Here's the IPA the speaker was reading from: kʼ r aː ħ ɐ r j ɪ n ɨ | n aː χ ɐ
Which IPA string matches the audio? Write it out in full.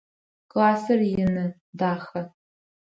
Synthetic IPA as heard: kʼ l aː s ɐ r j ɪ n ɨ | d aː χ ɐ

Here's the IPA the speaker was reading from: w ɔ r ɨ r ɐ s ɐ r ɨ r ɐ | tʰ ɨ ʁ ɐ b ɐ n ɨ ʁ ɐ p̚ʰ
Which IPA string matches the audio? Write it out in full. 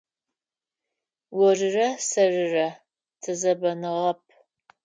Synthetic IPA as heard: w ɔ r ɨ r ɐ s ɐ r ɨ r ɐ | tʰ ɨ z ɐ b ɐ n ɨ ʁ ɐ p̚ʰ

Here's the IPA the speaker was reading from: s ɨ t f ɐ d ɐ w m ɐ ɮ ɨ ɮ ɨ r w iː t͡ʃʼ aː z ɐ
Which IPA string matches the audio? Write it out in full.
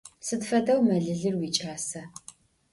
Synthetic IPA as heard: s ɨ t f ɐ d ɐ w m ɐ ɮ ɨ ɮ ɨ r w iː t͡ʃʼ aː s ɐ

